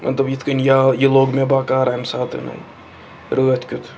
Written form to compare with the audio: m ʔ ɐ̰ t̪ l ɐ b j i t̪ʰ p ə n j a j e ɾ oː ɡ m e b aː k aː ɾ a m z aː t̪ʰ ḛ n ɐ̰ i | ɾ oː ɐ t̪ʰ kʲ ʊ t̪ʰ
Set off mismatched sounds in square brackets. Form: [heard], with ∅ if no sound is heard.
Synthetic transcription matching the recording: m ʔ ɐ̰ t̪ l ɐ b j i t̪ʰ [k] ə n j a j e [l] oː ɡ m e b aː k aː ɾ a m [s] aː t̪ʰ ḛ n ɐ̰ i | ɾ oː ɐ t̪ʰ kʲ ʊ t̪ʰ